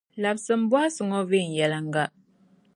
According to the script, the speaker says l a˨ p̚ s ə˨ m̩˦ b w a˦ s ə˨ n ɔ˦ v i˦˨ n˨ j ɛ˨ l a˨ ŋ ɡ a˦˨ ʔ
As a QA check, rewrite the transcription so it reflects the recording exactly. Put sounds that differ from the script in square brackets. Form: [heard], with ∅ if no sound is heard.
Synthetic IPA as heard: l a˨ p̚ s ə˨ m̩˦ b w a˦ s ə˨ [ŋ] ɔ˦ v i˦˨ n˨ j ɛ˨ l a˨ ŋ ɡ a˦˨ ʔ